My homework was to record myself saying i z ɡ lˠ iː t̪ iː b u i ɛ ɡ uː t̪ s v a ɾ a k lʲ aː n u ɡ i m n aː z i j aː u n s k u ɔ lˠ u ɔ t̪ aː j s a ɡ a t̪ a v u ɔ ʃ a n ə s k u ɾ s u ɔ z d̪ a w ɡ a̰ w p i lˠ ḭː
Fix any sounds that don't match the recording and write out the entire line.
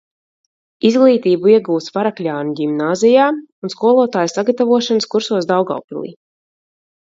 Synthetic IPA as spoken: i z ɡ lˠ iː t̪ iː b u i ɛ ɡ uː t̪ s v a ɾ a k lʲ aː n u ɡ i m n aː z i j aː u n s k u ɔ lˠ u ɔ t̪ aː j s a ɡ a t̪ a v u ɔ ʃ a n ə s k u ɾ s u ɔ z d̪ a w ɡ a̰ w p i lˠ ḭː